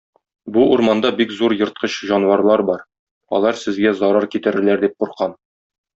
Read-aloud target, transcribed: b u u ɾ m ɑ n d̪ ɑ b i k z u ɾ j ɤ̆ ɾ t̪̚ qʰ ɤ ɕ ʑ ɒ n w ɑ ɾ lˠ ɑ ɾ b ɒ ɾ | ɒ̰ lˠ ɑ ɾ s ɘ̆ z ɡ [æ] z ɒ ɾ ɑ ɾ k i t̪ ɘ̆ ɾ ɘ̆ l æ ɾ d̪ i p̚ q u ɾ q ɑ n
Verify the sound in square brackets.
correct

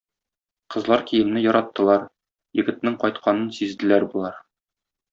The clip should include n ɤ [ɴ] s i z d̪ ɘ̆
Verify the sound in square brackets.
incorrect: n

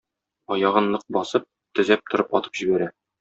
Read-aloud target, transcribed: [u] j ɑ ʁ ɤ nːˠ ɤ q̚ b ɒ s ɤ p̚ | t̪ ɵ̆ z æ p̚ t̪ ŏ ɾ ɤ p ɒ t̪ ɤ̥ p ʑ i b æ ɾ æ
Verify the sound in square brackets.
incorrect: ɒ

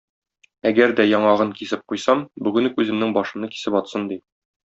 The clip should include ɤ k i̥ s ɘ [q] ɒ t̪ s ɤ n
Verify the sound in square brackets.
incorrect: p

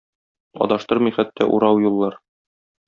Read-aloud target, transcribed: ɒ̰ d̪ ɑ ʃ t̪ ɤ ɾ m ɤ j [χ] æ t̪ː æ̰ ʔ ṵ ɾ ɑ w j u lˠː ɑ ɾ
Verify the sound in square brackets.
correct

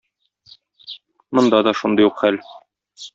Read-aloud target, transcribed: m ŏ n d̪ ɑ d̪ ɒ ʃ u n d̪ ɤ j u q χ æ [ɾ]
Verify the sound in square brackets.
incorrect: l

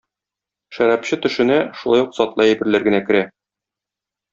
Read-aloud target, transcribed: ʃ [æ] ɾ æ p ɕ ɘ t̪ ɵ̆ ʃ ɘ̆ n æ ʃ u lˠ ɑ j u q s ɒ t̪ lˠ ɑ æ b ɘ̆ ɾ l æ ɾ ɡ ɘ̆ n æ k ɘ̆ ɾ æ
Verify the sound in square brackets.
correct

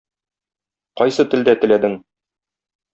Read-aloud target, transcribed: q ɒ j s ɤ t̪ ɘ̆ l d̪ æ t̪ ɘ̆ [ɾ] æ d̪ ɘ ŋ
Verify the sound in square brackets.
incorrect: l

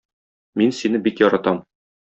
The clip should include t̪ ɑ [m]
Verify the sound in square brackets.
correct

